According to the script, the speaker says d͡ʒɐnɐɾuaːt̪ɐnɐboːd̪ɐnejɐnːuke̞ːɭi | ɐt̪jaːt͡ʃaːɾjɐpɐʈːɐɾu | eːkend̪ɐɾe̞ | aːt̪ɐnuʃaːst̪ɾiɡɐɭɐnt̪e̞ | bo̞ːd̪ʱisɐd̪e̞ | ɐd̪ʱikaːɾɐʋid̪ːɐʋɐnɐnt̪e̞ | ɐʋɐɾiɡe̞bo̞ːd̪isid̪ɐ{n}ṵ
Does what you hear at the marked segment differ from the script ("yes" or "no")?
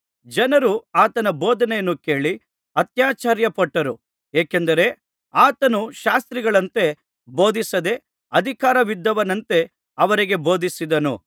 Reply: no